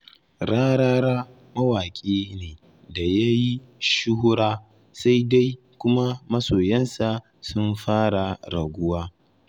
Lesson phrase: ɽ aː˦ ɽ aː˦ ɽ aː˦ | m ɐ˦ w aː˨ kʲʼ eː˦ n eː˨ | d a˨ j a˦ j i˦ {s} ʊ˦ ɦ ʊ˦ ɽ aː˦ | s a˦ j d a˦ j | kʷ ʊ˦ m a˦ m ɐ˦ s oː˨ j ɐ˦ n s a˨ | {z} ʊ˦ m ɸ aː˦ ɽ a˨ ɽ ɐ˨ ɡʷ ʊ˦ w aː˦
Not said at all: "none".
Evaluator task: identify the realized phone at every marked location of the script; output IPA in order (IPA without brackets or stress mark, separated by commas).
ʃ, s